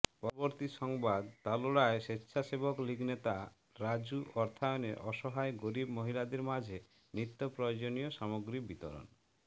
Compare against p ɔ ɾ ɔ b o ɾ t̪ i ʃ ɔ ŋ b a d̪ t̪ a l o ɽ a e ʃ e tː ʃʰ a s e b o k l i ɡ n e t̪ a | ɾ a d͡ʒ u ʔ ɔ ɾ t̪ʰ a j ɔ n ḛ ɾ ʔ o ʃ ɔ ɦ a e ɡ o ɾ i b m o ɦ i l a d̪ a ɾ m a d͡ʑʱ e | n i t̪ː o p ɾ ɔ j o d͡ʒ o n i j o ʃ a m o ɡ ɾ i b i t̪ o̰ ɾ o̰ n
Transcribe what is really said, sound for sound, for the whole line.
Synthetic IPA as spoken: p ɔ ɾ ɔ b o ɾ t̪ i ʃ ɔ ŋ b a d̪ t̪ a l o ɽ a e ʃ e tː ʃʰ a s e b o k l i ɡ n e t̪ a | ɾ a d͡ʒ u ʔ ɔ ɾ t̪ʰ a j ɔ n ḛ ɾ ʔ ɔ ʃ ɔ ɦ a e ɡ o ɾ i b m o ɦ i l a d̪ e ɾ m a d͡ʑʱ e | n i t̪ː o p ɾ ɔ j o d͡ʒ o n i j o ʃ a m o ɡ ɾ i b i t̪ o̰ ɾ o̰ n